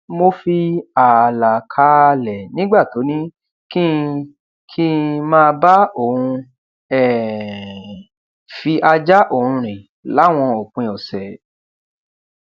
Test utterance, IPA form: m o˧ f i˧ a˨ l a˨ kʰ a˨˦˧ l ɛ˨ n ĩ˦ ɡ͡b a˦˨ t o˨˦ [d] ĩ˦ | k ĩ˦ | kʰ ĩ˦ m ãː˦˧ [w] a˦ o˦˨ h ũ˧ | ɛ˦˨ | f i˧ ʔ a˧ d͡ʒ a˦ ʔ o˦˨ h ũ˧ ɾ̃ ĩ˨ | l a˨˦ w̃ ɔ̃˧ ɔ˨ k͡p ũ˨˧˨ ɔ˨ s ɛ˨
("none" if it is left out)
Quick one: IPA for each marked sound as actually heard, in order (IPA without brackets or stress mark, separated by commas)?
n, b